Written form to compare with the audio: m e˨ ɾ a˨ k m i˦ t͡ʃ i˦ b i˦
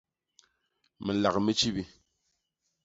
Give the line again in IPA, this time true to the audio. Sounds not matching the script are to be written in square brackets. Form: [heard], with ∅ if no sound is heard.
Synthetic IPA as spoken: m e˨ [l] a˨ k m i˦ t͡ʃ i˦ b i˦